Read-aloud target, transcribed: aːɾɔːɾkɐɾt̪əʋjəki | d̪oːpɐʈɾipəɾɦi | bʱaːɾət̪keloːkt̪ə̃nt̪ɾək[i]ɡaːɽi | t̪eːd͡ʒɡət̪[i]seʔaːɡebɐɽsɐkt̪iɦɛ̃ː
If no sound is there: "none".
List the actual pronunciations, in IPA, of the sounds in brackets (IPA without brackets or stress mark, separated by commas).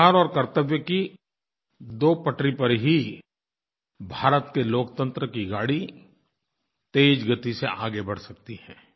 i, i